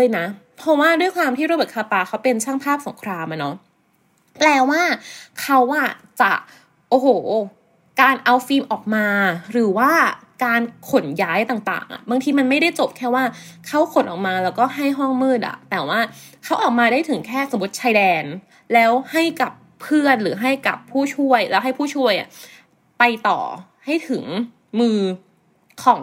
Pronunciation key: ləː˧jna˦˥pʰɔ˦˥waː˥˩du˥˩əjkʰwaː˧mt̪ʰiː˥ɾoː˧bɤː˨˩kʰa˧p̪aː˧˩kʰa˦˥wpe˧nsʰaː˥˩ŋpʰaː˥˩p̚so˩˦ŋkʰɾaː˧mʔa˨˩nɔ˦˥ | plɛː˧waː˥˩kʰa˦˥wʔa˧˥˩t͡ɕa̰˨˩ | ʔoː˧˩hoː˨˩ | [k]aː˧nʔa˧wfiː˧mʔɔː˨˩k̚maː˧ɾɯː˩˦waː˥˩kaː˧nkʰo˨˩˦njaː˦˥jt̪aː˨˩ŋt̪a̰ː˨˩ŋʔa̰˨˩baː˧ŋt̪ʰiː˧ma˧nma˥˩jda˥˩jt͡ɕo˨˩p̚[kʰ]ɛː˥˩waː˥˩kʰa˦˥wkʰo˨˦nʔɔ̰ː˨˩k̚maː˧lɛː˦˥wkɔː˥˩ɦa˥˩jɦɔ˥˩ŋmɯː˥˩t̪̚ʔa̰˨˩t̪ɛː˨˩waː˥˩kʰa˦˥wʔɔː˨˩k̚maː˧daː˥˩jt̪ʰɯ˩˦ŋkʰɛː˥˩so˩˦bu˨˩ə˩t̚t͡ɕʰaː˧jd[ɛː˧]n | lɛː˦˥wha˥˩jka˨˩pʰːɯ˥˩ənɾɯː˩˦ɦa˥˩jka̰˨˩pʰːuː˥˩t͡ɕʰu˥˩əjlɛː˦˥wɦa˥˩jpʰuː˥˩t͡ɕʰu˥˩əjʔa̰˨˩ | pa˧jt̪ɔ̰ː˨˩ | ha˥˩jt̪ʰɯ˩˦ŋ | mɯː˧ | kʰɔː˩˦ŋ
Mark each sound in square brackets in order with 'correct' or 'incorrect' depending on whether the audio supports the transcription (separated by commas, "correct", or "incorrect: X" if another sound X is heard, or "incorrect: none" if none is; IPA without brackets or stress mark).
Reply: correct, correct, correct